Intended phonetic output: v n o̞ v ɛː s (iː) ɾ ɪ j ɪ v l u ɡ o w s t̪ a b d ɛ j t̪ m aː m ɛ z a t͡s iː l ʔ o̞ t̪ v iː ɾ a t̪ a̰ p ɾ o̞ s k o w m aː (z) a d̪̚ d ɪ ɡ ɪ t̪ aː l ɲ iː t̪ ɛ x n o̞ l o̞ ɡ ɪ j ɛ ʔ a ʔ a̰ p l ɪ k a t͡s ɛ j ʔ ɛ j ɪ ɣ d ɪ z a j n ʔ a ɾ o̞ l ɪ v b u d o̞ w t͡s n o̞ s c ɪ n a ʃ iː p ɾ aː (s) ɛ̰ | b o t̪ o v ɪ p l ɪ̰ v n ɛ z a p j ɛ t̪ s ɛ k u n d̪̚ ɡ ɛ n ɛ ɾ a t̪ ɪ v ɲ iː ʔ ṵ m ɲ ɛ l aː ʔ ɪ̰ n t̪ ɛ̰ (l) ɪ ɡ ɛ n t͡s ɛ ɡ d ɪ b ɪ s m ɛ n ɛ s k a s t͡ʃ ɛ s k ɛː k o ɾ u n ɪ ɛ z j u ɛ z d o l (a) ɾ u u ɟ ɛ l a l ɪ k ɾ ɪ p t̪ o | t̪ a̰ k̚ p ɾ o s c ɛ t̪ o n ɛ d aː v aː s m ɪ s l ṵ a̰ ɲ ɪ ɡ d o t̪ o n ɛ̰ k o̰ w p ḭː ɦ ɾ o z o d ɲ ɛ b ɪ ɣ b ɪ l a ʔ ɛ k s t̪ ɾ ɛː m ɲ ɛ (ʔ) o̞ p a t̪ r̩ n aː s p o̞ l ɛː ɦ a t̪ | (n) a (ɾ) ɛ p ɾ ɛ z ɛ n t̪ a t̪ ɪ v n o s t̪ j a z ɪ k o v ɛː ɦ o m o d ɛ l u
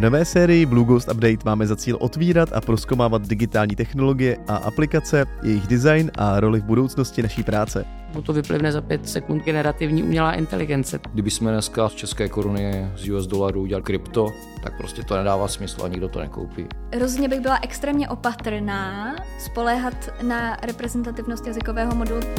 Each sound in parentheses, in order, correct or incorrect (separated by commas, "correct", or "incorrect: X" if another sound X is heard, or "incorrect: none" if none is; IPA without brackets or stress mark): incorrect: ɛː, incorrect: v, incorrect: t͡s, correct, correct, correct, correct, correct